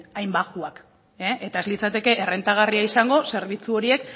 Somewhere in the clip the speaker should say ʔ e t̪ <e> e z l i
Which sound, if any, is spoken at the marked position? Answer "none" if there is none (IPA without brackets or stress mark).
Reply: a